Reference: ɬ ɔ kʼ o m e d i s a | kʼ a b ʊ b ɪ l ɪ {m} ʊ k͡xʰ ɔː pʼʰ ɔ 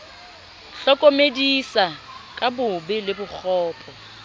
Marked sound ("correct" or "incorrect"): incorrect